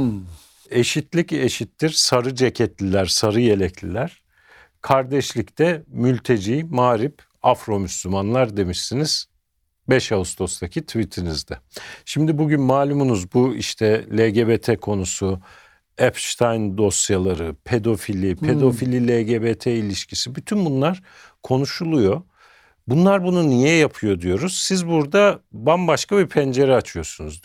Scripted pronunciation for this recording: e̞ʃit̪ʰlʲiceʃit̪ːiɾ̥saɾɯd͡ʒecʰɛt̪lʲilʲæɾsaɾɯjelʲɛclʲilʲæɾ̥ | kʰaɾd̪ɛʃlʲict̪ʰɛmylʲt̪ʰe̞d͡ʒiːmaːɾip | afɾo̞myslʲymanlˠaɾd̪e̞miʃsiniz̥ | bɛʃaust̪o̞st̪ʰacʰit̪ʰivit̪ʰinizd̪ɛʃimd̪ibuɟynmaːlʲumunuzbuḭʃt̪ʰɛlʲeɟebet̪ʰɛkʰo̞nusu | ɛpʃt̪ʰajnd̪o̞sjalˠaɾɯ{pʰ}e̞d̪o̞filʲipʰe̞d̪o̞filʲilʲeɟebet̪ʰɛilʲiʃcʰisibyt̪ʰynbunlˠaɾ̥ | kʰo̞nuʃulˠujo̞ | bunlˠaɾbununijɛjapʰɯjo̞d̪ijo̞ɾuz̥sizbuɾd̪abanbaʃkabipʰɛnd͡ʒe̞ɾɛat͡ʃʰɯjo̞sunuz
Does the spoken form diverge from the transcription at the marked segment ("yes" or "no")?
no